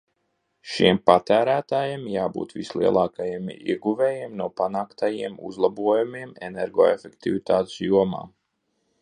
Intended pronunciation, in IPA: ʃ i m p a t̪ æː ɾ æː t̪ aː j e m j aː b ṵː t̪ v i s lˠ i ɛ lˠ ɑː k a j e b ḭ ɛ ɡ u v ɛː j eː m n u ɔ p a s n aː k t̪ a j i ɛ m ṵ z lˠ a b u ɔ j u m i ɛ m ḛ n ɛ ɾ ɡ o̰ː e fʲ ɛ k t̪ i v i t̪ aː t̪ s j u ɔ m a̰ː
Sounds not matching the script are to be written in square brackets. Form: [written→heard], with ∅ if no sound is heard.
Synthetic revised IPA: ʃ i m p a t̪ æː ɾ æː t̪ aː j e m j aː b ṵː t̪ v i s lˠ i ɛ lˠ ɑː k a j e [b→m] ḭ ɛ ɡ u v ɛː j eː m n u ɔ p a [s→∅] n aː k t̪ a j i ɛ m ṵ z lˠ a b u ɔ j u m i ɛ m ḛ n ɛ ɾ ɡ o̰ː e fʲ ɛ k t̪ i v i t̪ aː t̪ s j u ɔ m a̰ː